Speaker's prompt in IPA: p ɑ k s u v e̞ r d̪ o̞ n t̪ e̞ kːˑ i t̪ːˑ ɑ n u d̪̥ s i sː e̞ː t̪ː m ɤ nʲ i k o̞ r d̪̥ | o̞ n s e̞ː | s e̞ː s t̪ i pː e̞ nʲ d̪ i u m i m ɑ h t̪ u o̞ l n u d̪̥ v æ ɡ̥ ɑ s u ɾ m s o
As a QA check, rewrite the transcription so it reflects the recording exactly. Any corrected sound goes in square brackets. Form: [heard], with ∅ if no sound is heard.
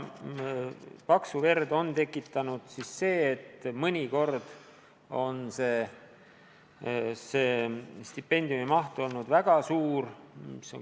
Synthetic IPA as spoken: p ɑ k s u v e̞ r d̪ o̞ n t̪ e̞ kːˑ i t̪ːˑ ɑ n u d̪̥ s i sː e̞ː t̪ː m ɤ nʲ i k o̞ r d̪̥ | o̞ n s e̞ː | s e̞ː s t̪ i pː e̞ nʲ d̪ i u m i m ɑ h t̪ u o̞ l n u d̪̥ v æ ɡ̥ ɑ s [uː] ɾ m s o

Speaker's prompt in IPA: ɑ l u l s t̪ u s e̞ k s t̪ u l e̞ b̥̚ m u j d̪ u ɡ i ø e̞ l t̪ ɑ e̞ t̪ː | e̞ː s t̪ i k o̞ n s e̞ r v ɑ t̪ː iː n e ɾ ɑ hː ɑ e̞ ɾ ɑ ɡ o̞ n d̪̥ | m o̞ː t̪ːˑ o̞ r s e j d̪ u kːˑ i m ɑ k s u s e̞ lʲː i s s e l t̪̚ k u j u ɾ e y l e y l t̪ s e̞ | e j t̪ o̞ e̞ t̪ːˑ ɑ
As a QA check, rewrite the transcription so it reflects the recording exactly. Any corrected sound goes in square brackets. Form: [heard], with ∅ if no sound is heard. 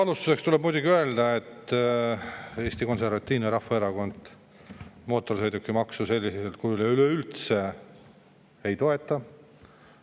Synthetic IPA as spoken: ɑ l u [∅] s t̪ u s e̞ k s t̪ u l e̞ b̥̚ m u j d̪ u ɡ i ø e̞ l [d̪] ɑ e̞ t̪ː | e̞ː s t̪ i k o̞ n s e̞ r v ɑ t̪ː iː n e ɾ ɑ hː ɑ e̞ ɾ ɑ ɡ o̞ n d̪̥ | m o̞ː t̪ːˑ o̞ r s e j d̪ u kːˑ i m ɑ k s u s e̞ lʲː i s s e l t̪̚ k u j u [l] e y l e y l t̪ s e̞ | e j t̪ o̞ e̞ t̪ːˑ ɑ

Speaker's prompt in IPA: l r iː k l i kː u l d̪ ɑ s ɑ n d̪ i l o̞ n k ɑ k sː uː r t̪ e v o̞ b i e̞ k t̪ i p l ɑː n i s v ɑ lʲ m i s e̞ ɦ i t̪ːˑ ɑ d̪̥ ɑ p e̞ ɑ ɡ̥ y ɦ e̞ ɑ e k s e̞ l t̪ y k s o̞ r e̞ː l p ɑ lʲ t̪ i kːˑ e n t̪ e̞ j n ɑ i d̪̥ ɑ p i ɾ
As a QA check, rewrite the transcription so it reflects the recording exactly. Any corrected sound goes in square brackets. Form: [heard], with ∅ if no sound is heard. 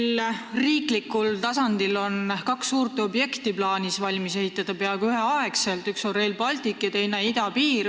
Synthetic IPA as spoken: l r iː k l i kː u l [t̪] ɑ s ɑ n d̪ i l o̞ n k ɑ k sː uː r t̪ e [∅] o̞ b [j] e̞ k t̪ i p l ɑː n i s v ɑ lʲ m i s e̞ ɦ i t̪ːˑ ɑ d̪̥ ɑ p e̞ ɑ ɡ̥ y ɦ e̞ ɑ e k s e̞ l t̪ y k s o̞ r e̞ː l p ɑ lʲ t̪ i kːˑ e [∅] t̪ e̞ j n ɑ i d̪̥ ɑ p [iː] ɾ

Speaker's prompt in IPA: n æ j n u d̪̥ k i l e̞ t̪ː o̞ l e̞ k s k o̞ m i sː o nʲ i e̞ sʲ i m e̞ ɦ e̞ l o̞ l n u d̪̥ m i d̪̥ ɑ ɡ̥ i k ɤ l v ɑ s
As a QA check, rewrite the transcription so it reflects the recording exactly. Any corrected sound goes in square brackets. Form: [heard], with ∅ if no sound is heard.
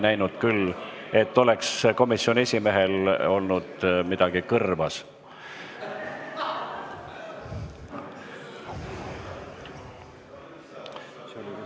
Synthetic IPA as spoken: n æ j n u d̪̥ k [y] l e̞ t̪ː o̞ l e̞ k s k o̞ m i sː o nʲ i e̞ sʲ i m e̞ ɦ e̞ l o̞ l n u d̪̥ m i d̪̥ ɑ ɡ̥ i k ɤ [r] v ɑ s

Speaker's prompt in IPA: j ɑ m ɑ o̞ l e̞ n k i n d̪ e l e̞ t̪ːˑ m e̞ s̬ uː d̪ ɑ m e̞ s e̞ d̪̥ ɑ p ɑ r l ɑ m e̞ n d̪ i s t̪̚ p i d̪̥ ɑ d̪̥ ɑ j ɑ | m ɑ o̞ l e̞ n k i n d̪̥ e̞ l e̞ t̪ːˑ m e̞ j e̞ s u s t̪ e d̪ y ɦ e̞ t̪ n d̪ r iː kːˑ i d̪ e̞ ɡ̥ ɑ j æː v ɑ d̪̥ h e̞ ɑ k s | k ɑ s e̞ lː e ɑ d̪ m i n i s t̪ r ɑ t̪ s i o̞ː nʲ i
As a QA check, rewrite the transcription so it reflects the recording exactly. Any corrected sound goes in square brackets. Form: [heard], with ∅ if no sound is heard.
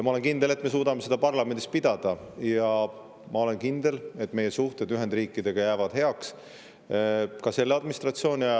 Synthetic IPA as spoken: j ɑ m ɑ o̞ l e̞ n k i n d̪ e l e̞ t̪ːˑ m e̞ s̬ uː d̪ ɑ m e̞ s e̞ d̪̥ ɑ p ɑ r l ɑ m e̞ n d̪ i s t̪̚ p i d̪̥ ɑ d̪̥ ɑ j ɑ | m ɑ o̞ l e̞ n k i n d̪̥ e̞ l e̞ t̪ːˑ m e̞ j e̞ s u [h] t̪ e d̪ y ɦ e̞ [∅] n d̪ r iː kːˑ i d̪ e̞ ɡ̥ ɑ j æː v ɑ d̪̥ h e̞ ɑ k s | k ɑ s e̞ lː e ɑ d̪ m i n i s t̪ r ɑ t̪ s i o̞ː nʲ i

